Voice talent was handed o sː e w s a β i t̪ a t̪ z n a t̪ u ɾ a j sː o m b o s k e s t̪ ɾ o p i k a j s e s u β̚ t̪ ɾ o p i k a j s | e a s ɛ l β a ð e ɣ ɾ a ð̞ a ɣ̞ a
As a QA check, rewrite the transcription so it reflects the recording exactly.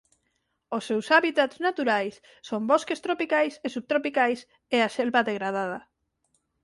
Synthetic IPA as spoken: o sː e w s a β i t̪ a t̪ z n a t̪ u ɾ a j sː o m b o s k e s t̪ ɾ o p i k a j s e s u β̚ t̪ ɾ o p i k a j s | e a s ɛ l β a ð e ɣ ɾ a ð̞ a ð̞ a